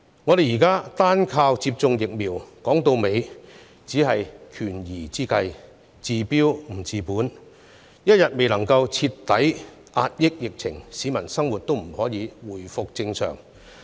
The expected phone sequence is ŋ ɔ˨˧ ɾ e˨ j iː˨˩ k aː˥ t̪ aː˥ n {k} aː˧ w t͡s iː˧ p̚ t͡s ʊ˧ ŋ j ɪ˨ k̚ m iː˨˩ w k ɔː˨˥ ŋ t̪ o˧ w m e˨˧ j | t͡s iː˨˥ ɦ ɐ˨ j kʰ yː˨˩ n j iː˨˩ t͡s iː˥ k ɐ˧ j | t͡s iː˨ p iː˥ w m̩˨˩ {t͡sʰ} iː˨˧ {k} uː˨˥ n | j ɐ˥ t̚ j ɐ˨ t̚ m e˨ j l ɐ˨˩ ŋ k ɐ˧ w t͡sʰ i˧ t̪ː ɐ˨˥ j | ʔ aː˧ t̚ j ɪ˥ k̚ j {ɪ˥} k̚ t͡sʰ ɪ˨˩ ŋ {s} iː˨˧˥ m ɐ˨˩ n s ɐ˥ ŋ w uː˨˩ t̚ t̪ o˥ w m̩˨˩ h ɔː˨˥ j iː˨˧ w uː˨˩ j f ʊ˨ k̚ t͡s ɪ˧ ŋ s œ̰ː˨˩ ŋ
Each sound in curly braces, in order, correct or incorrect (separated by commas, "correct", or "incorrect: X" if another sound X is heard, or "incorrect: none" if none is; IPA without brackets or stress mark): incorrect: kʰ, incorrect: t͡s, incorrect: p, incorrect: ɪ˨, correct